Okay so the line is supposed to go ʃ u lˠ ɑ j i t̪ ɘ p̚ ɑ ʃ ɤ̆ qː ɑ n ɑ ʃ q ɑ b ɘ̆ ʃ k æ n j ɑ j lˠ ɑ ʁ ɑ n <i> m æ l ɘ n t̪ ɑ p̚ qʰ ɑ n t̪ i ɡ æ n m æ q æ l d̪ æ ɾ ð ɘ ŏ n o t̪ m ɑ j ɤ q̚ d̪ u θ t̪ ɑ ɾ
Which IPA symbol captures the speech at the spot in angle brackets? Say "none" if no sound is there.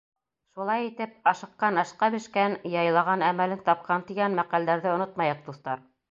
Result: æ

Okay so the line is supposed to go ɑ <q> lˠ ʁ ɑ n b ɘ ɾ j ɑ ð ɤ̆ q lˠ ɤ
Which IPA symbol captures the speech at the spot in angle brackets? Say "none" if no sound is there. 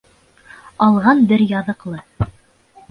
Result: none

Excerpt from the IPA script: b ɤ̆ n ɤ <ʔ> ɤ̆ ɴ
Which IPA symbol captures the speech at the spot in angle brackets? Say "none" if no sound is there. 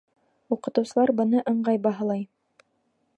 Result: ʔ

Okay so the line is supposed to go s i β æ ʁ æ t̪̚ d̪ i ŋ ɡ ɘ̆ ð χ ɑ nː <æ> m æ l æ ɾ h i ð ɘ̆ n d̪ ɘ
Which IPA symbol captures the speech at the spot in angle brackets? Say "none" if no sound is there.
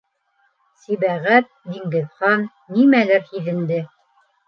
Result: i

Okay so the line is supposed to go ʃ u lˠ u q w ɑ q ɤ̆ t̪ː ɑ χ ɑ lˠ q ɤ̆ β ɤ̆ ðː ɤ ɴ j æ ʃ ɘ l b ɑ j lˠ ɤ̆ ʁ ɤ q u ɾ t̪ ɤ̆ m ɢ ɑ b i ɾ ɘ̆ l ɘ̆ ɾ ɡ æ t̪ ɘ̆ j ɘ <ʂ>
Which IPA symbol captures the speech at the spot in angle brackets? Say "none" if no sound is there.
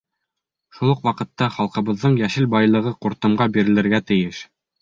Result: ʃ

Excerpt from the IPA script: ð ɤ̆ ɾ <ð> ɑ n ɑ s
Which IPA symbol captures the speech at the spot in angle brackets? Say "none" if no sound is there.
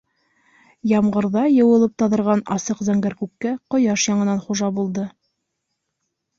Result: ʁ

